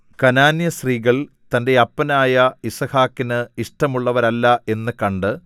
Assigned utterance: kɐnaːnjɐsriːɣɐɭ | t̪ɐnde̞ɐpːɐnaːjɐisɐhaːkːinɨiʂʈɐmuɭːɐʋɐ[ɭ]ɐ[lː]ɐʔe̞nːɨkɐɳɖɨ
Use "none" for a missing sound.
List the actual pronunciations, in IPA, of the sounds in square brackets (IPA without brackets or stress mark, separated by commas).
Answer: ɾ, lː